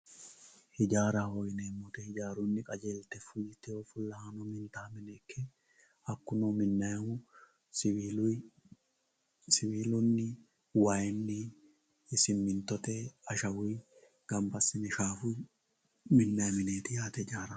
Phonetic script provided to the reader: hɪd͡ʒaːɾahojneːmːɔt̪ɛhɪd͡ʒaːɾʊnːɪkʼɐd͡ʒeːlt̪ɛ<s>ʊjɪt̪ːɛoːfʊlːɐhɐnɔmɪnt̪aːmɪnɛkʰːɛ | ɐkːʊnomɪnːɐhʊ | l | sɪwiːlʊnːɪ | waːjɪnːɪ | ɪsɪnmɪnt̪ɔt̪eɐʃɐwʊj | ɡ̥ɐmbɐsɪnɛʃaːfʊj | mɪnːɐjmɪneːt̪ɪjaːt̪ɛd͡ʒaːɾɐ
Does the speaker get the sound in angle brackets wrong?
yes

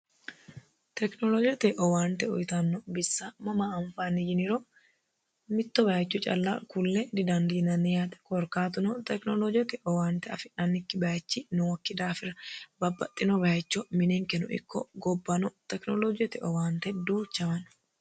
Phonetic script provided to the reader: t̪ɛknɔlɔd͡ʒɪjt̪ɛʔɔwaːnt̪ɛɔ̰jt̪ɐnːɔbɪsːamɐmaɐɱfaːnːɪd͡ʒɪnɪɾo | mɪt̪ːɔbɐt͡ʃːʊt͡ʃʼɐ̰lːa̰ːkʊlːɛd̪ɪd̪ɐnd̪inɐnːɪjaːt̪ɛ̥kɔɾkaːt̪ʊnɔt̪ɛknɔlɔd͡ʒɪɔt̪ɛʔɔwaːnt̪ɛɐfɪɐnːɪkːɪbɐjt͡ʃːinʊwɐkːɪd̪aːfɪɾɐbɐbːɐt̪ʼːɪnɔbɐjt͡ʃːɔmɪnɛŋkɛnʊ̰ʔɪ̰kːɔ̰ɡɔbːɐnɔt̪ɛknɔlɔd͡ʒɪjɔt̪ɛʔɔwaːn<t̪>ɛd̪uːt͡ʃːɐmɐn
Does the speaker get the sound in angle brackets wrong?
no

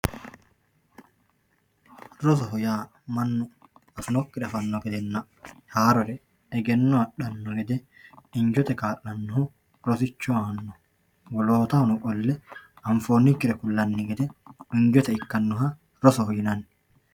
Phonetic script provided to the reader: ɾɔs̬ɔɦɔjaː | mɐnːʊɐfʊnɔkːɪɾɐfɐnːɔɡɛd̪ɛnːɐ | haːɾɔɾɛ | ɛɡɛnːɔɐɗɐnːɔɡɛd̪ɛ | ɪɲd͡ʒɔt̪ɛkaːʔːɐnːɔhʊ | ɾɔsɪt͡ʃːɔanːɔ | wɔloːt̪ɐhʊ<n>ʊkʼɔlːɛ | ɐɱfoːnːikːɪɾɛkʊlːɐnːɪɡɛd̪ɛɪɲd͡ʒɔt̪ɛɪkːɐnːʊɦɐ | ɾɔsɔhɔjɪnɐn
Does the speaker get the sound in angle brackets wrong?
no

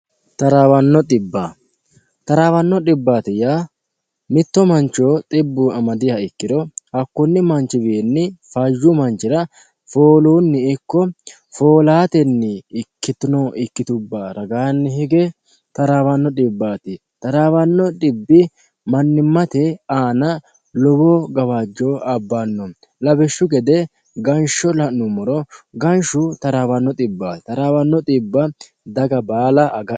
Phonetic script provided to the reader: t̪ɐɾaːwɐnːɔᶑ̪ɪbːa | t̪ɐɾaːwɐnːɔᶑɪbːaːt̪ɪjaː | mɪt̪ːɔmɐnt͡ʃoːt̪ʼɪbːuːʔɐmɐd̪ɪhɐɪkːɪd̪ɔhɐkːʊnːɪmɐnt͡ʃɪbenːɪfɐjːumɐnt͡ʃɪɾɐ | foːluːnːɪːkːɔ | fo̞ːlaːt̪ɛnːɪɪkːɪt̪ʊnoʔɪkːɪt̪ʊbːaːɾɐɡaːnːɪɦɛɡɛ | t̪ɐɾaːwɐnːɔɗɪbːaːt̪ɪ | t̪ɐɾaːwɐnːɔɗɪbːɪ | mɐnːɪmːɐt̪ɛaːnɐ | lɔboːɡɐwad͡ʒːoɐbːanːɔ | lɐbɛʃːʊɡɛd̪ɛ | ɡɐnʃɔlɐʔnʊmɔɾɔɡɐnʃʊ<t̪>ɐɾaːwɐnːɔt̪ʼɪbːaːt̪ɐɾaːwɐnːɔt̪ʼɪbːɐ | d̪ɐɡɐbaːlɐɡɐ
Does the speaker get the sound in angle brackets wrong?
no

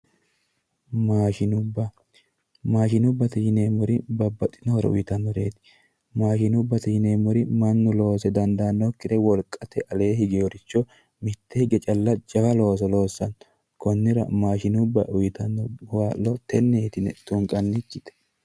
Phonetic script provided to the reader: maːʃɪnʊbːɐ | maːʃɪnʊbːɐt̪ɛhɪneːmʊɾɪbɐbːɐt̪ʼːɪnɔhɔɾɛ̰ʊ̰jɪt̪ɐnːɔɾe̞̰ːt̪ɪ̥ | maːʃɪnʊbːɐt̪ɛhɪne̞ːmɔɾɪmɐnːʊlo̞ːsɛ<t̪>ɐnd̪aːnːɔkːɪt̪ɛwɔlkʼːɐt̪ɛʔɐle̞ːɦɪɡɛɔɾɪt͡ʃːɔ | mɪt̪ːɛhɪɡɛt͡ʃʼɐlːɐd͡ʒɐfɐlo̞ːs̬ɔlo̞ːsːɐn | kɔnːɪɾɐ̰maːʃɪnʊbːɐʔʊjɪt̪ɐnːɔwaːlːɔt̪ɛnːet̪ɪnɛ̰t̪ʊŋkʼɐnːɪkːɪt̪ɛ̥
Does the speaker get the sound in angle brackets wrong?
yes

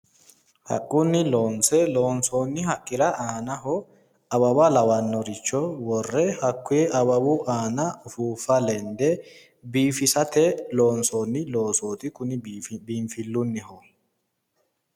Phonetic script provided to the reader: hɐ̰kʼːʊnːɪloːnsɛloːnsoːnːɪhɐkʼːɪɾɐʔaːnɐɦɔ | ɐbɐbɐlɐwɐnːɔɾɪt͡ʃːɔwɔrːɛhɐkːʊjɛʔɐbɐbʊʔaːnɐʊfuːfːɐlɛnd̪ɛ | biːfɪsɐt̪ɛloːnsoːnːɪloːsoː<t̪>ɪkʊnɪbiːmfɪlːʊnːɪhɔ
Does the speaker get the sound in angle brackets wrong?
no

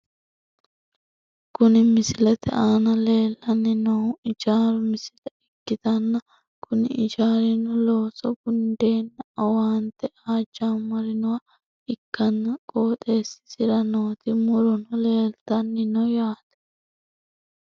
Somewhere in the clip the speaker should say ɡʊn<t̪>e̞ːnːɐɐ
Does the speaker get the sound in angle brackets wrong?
yes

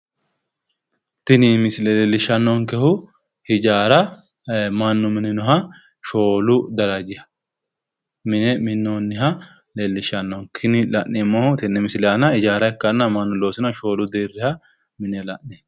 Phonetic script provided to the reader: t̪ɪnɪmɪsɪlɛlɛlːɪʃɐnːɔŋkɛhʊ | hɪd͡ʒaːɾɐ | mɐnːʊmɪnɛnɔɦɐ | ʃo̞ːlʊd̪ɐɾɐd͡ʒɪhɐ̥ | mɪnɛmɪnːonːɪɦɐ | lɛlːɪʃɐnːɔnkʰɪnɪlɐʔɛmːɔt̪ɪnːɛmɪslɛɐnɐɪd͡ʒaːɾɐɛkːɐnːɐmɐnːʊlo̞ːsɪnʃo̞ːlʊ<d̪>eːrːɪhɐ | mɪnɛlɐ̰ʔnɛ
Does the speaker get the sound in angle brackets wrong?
no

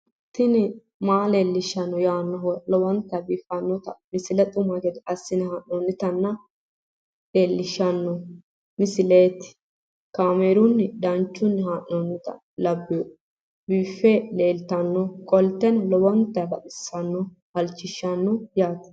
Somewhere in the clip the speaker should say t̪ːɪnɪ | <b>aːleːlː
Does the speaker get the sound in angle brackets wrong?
yes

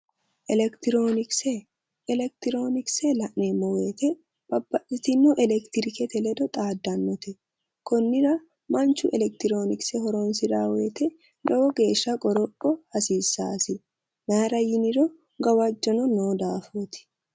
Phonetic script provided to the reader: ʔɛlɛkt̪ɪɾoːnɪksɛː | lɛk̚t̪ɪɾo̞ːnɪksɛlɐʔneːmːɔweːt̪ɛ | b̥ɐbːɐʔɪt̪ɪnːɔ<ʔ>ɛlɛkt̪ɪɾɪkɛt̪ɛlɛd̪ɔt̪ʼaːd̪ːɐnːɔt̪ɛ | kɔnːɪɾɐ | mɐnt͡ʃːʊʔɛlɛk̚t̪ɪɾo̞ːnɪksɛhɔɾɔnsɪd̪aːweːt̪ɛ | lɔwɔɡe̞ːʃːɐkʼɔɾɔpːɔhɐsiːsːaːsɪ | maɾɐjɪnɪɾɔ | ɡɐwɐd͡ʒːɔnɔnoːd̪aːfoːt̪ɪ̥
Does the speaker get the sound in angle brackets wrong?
no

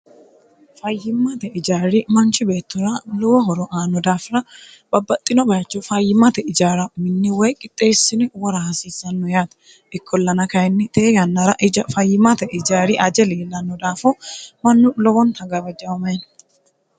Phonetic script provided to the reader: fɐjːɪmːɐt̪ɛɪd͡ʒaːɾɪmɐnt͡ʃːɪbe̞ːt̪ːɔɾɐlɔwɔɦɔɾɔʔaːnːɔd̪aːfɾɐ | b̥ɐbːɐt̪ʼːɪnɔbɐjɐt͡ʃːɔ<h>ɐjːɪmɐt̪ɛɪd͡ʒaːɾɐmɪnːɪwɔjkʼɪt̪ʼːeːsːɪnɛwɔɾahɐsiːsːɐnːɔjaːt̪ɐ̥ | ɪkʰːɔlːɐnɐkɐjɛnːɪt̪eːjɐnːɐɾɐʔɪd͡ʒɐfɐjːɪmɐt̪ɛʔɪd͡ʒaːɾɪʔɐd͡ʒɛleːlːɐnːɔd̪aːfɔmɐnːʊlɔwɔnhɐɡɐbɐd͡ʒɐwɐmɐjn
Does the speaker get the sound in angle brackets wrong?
yes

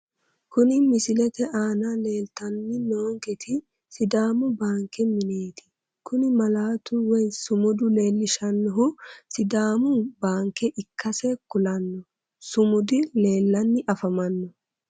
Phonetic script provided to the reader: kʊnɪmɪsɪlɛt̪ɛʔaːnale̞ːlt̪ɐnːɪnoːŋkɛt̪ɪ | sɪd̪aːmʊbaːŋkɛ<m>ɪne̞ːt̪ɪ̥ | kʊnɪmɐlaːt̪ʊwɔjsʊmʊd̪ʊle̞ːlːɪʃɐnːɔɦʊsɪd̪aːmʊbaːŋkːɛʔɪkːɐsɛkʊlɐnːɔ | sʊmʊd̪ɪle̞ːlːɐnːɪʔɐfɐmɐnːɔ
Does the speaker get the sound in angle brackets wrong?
no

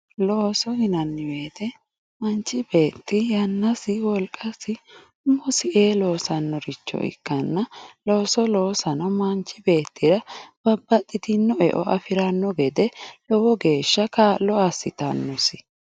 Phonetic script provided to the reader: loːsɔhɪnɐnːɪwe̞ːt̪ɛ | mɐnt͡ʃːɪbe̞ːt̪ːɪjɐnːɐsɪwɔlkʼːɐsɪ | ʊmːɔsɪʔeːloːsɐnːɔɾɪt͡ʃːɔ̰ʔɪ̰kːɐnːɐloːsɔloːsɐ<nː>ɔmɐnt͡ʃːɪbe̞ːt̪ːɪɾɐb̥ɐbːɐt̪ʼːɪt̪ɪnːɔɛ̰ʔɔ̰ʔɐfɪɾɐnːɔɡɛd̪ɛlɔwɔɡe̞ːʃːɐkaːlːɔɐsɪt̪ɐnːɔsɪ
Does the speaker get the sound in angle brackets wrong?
yes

